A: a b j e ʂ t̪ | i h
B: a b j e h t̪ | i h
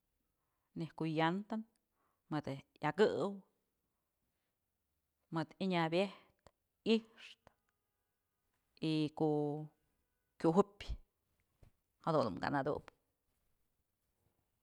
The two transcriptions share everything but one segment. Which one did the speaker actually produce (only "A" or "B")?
B